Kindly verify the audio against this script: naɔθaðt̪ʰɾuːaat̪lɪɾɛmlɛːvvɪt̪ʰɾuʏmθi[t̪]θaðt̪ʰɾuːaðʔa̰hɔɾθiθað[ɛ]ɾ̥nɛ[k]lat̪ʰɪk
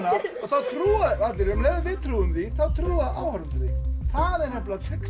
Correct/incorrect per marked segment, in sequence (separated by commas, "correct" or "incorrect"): incorrect, correct, incorrect